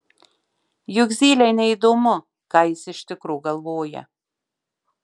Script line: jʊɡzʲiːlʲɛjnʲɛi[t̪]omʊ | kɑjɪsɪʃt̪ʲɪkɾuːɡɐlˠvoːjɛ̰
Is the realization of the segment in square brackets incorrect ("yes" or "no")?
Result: yes